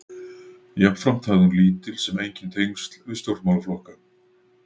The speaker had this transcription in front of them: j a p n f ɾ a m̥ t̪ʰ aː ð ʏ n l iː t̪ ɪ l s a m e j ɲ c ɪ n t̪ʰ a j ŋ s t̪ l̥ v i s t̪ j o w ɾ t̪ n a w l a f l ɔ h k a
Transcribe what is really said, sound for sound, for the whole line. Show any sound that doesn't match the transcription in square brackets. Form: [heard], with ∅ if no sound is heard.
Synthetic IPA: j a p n f ɾ a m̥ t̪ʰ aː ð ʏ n l iː t̪ ɪ l s [ɛ] m e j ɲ c ɪ n t̪ʰ [e] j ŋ s t̪ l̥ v [ɪ] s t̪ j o w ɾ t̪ [m] a w l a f l ɔ h k a